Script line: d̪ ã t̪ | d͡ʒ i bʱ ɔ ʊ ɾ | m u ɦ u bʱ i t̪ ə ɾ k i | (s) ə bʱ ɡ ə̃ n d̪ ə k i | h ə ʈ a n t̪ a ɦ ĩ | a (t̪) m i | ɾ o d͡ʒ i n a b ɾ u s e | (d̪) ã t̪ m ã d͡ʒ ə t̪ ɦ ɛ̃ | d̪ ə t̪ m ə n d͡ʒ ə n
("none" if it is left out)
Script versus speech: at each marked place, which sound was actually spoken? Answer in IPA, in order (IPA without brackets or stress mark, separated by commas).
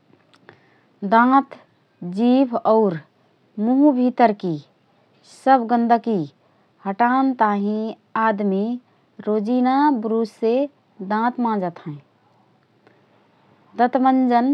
s, d̪, d̪